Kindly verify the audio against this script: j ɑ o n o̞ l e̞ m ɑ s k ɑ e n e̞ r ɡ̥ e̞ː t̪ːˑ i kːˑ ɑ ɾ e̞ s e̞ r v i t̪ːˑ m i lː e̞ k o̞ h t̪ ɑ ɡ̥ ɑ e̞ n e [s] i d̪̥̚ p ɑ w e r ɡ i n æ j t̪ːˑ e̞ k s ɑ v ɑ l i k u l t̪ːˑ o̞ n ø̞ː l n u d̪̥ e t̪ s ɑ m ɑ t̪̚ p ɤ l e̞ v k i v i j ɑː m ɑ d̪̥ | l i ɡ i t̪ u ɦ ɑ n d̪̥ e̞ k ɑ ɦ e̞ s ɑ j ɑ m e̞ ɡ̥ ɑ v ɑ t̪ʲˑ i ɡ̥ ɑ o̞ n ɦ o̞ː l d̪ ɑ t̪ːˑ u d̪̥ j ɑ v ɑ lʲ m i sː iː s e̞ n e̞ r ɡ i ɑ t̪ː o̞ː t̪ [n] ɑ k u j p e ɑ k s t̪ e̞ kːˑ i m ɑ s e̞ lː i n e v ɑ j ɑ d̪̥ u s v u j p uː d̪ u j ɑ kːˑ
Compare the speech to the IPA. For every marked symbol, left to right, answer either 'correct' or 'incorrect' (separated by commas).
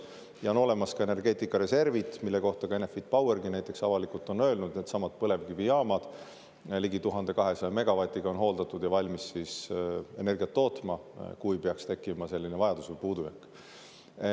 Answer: incorrect, incorrect